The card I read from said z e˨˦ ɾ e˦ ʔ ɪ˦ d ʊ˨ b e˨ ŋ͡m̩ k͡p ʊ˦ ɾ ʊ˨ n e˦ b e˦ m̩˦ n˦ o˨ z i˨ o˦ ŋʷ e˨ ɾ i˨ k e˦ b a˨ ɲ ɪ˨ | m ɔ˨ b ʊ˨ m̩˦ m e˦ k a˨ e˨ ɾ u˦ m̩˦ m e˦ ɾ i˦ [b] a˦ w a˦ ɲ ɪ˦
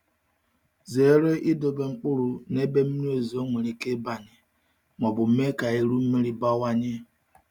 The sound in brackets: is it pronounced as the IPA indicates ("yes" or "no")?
yes